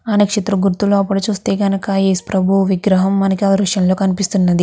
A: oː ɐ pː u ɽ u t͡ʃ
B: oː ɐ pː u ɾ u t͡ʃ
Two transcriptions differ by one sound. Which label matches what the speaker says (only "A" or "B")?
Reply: A